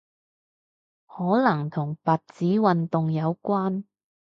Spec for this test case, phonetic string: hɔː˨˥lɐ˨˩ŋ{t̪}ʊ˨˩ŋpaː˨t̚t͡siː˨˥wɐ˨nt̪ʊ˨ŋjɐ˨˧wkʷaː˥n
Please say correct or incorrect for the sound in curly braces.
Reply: incorrect: t̪ʰ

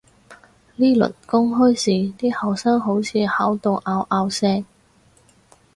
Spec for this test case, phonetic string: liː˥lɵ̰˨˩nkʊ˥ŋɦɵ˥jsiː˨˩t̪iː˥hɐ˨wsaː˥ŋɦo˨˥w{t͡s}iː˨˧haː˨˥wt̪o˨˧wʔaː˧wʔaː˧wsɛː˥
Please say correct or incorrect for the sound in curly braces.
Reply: incorrect: t͡sʰ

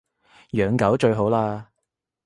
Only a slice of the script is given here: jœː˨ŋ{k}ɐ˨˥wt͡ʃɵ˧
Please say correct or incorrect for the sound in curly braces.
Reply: correct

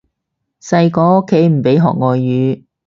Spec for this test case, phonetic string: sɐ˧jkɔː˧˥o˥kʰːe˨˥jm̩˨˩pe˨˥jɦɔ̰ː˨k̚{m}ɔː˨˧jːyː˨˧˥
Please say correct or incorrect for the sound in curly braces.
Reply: incorrect: ŋ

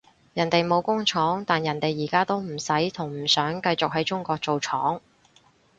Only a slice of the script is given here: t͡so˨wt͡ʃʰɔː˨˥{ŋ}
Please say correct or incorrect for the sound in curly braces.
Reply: correct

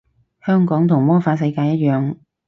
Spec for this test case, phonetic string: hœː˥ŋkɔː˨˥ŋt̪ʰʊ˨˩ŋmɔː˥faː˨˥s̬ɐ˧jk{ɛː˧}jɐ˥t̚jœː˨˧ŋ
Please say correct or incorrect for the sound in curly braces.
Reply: incorrect: aː˧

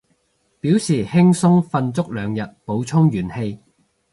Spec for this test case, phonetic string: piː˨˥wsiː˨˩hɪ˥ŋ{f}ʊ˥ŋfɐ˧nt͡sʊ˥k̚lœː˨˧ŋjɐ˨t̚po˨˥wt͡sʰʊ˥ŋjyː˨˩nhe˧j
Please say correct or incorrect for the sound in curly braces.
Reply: incorrect: s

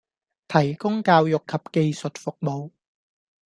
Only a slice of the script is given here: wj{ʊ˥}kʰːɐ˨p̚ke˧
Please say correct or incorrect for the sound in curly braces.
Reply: incorrect: ʊ˨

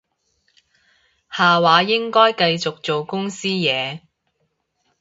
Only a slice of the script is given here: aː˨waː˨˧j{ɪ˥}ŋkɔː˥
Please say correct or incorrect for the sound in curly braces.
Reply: correct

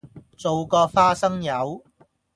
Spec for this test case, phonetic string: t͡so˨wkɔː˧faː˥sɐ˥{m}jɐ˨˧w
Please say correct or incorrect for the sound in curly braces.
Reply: incorrect: ŋ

